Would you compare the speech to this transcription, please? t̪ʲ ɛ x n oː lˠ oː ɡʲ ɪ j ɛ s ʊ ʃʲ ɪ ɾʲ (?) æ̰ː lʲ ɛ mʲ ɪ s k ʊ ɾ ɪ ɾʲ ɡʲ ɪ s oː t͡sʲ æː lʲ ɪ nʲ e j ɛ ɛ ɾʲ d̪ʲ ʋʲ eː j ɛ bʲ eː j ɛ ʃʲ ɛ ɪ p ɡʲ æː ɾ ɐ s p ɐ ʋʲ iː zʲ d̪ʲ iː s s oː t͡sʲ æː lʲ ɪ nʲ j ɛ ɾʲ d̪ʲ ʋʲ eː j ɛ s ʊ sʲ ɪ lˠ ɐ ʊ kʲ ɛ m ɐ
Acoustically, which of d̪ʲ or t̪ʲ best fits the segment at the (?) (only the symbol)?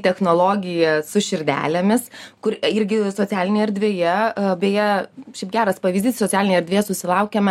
d̪ʲ